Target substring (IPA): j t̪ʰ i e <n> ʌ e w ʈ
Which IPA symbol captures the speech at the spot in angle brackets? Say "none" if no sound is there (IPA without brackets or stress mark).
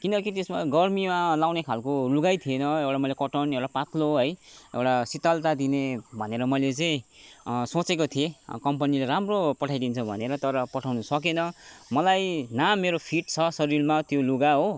n